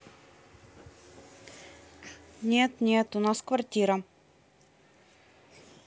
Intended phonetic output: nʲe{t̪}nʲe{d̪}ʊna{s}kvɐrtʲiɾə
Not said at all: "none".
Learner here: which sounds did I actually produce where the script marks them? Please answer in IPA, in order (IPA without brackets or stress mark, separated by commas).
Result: t̪, t̪, s